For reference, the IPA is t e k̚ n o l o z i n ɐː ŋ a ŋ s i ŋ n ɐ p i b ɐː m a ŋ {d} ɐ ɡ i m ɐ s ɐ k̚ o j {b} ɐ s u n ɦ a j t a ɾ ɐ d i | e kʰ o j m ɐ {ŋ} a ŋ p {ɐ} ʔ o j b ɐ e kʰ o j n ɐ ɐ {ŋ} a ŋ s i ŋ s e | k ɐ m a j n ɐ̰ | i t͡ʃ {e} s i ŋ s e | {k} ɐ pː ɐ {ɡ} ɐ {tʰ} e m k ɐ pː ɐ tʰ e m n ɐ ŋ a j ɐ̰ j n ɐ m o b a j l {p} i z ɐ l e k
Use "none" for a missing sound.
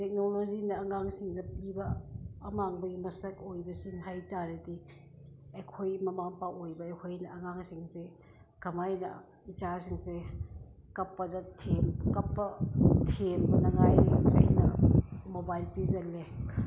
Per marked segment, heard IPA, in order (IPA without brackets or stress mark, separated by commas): b, b, m, a, ŋ, a, k, d, tʰ, p